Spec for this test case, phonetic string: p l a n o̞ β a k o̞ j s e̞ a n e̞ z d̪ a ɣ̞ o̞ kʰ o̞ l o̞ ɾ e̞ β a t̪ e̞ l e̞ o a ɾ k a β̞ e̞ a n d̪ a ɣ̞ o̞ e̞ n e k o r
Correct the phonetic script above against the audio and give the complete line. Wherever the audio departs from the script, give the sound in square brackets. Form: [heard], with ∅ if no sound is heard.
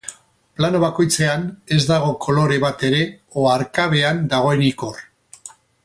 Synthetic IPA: p l a n o̞ β a k o̞ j [t͡s] e̞ a n e̞ z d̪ a ɣ̞ o̞ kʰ o̞ l o̞ ɾ e̞ β a t̪ e̞ [ɾ] e̞ o a ɾ k a β̞ e̞ a n d̪ a ɣ̞ o̞ e̞ n [i] k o r

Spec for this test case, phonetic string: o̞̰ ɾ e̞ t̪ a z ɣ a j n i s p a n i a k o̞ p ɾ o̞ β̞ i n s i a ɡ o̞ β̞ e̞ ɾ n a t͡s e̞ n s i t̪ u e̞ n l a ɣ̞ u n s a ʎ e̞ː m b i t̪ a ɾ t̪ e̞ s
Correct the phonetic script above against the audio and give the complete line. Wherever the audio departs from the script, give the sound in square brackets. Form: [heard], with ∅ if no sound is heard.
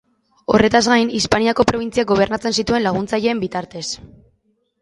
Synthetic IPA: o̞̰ [r] e̞ t̪ a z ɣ a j n i s p a n i a k o̞ p ɾ o̞ β̞ i n [t͡s] i a ɡ o̞ β̞ e̞ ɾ n a t͡s e̞ n s i t̪ u e̞ n l a ɣ̞ u n [t͡s] a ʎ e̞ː m b i t̪ a ɾ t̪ e̞ s

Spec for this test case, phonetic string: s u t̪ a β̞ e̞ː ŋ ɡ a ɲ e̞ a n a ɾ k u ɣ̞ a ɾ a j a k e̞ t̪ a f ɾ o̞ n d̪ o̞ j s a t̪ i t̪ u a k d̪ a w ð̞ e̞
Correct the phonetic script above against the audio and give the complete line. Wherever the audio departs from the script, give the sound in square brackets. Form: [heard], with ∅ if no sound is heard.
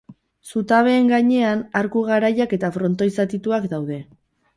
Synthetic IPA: s u t̪ a β̞ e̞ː ŋ ɡ a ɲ e̞ a n a ɾ k u ɣ̞ a ɾ a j a k e̞ t̪ a f ɾ o̞ n [t̪] o̞ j s a t̪ i t̪ u a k d̪ a w ð̞ e̞

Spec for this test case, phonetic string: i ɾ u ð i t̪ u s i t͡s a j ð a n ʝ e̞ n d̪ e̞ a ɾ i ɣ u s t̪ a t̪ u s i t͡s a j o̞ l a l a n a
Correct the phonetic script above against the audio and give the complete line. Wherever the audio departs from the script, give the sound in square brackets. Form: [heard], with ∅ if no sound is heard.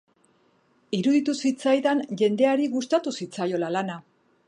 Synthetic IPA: i ɾ u ð i t̪ u s i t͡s a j ð a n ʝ e̞ n d̪ e̞ a ɾ i ɣ u s t̪ a t̪ u s i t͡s a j o̞ l a l a n a

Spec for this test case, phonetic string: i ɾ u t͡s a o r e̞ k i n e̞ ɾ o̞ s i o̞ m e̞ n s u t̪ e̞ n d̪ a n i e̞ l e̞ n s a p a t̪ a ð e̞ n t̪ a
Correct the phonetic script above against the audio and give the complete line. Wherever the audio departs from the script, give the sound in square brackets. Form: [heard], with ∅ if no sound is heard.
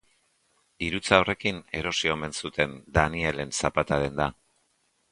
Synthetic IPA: i ɾ u t͡s a o r e̞ k i n e̞ ɾ o̞ s i o̞ m e̞ n s u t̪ e̞ n d̪ a n i e̞ l e̞ n s a p a t̪ a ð e̞ n [d̪] a

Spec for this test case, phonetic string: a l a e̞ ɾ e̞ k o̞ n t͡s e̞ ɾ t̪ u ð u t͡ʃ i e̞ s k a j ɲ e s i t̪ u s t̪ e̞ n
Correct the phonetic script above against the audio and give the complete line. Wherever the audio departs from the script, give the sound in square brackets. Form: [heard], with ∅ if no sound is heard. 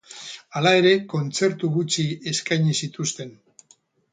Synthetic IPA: a l a e̞ ɾ e̞ k o̞ n t͡s e̞ ɾ t̪ u [ɣ] u t͡ʃ i e̞ s k a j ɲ [i] s i t̪ u s t̪ e̞ n

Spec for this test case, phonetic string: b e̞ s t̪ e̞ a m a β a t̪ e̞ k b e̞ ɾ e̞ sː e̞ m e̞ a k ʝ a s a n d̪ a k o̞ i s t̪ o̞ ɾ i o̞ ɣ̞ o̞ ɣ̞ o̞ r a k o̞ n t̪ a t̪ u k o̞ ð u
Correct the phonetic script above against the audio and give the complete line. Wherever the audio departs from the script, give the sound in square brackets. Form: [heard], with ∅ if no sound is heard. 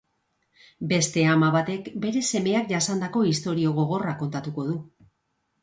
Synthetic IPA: b e̞ s t̪ e̞ a m a β a t̪ e̞ k b e̞ ɾ e̞ [s] e̞ m e̞ a k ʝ a s a n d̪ a k o̞ i s t̪ o̞ ɾ i o̞ ɣ̞ o̞ ɣ̞ o̞ r a k o̞ n t̪ a t̪ u k o̞ ð u

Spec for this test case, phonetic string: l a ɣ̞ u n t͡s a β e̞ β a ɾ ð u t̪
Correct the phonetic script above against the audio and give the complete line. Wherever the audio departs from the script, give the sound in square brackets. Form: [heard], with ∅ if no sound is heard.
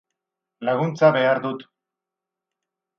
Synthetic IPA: l a ɣ̞ u n t͡s a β e̞ [∅] a ɾ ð u t̪

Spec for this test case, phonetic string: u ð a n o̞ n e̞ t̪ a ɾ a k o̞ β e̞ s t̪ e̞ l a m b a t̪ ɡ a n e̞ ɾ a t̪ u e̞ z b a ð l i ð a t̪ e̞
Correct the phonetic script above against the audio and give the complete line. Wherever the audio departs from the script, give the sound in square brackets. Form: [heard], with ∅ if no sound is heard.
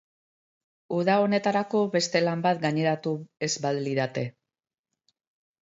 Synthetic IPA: u ð a [∅] o̞ n e̞ t̪ a ɾ a k o̞ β e̞ s t̪ e̞ l a m b a t̪ ɡ a [ɲ] e̞ ɾ a t̪ u e̞ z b a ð l i ð a t̪ e̞

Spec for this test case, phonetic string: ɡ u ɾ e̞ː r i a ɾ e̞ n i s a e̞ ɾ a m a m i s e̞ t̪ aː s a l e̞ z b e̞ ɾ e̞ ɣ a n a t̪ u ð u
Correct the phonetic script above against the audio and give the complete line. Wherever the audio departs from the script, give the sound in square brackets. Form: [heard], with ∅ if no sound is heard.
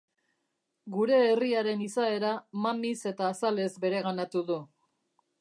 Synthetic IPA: ɡ u ɾ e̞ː r i a ɾ e̞ n i s a e̞ ɾ a m a m i s e̞ t̪ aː s a l e̞ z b e̞ ɾ e̞ ɣ a n a t̪ u ð u

